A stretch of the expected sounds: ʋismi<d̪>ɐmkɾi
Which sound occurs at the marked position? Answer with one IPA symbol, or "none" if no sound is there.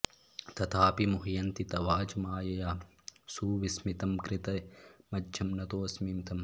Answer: t̪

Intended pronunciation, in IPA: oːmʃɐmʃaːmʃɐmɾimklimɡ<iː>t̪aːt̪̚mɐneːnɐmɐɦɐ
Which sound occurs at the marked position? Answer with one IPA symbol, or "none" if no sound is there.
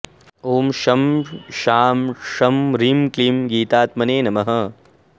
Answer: iː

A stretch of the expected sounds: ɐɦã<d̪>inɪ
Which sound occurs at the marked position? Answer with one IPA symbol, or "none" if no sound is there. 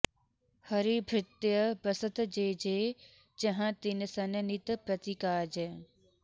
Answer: t̪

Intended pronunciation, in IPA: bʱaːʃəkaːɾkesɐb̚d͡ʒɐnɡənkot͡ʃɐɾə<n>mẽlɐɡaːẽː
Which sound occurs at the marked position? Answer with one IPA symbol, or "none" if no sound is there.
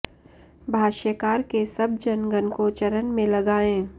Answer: n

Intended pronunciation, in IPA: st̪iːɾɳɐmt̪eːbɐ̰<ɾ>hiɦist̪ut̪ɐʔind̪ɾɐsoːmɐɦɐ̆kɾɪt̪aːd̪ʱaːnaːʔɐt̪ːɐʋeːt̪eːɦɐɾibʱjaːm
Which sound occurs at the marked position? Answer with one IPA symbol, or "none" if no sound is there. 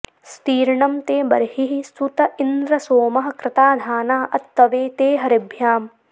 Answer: ɾ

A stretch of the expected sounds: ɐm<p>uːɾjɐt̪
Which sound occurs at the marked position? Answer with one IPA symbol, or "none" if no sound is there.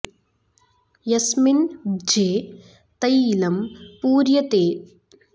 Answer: p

